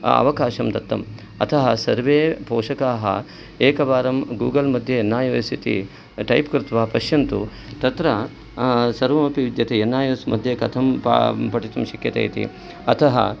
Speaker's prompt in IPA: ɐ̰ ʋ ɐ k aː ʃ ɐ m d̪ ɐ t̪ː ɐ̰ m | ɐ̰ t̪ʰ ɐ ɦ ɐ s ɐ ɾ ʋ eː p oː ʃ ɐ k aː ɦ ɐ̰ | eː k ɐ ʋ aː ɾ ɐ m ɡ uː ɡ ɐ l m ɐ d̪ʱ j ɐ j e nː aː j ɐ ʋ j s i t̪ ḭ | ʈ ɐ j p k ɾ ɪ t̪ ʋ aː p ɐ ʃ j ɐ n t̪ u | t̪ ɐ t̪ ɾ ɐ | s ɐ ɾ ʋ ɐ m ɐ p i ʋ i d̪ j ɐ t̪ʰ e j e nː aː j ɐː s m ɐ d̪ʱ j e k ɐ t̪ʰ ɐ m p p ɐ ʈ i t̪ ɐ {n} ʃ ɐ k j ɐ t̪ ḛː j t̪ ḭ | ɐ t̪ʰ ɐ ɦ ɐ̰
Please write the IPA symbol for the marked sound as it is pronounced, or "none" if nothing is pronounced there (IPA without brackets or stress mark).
m